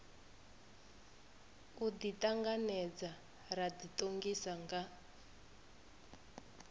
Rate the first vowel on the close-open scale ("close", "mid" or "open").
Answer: close